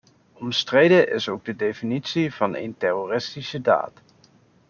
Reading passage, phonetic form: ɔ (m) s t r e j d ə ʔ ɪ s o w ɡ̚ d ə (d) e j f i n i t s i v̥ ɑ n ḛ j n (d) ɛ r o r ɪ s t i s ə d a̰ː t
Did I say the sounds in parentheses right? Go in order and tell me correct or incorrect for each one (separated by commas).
correct, correct, incorrect